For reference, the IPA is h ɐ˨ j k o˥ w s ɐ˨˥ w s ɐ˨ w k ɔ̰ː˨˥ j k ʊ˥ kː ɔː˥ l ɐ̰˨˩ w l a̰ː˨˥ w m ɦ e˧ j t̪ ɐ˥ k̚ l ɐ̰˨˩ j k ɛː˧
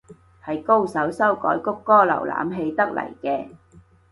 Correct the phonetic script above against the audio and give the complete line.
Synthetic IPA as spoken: h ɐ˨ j k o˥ w s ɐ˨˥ w s ɐ˥ w k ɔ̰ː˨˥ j k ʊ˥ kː ɔː˥ l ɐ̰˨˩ w l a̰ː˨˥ m ɦ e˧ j t̪ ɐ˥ k̚ l ɐ̰˨˩ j k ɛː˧

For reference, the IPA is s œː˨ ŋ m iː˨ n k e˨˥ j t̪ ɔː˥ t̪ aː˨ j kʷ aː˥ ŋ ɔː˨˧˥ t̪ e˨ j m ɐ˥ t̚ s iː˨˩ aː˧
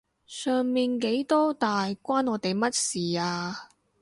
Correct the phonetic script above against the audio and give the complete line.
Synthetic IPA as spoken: s œː˨ ŋ m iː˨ n k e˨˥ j t̪ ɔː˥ t̪ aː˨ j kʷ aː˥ n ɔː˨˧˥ t̪ e˨ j m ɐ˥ t̚ s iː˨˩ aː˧

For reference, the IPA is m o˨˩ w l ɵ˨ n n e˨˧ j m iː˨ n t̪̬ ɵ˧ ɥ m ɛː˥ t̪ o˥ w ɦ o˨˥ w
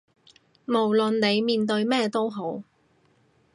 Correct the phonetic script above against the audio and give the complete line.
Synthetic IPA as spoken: m o˨˩ w l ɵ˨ n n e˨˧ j m iː˨ n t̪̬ ɵ˧ ɥ m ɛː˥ t̪ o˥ w ɦ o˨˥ w

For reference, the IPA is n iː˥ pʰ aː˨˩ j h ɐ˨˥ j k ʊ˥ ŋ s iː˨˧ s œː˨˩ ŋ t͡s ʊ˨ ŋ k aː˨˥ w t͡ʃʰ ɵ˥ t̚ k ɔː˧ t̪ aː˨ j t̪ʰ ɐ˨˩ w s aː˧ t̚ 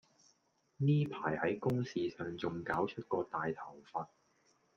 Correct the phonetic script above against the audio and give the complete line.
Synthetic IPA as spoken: n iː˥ pʰ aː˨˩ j h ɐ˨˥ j k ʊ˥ ŋ s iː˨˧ s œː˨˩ ŋ t͡s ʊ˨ ŋ k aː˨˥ w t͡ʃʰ ɵ˥ t̚ k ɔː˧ t̪ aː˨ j t̪ʰ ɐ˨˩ w f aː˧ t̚

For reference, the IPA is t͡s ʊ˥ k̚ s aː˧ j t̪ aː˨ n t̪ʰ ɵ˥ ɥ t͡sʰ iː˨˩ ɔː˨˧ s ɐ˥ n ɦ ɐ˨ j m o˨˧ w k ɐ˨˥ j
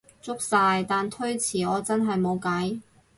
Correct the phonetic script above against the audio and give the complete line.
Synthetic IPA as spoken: t͡s ʊ˥ k̚ s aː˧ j t̪ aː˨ n t̪ʰ ɵ˥ ɥ t͡sʰ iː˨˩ ɔː˨˧ t͡s ɐ˥ n ɦ ɐ˨ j m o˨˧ w k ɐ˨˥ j

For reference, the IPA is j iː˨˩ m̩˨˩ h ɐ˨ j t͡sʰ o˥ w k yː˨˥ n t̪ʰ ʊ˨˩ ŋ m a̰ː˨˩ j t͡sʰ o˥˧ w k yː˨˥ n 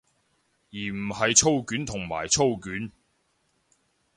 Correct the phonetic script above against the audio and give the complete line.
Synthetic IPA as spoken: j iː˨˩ m̩˨˩ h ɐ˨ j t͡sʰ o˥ w k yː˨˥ n t̪ʰ ʊ˨˩ ŋ m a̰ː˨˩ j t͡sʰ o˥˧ w k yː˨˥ n

